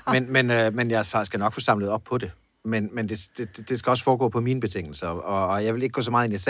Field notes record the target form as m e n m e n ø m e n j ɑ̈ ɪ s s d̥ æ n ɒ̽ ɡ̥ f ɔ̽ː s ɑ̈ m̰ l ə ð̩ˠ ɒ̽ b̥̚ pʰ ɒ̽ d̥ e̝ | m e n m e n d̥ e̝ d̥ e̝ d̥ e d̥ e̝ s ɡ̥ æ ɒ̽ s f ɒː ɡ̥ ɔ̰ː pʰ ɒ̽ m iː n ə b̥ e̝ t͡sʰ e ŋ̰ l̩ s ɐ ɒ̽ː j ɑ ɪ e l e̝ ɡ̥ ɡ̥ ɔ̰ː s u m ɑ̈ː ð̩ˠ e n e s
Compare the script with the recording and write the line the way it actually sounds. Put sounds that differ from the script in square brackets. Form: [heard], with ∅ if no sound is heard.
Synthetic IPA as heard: m e n m e n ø m e n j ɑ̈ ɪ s s [ɡ̥] æ n ɒ̽ ɡ̥ f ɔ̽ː s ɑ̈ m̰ l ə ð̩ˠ ɒ̽ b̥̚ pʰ ɒ̽ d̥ e̝ | m e n m e n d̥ e̝ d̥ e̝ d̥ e d̥ e̝ s ɡ̥ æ ɒ̽ s f ɒː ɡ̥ ɔ̰ː pʰ ɒ̽ m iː n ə b̥ e̝ t͡sʰ e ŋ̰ l̩ s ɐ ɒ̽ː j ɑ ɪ e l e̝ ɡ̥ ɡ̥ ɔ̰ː s [ɒ] m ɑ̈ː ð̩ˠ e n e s